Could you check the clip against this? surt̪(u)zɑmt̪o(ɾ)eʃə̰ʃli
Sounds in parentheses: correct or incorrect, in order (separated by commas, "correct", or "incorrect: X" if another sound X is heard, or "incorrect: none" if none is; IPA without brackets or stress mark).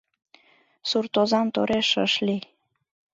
incorrect: o, correct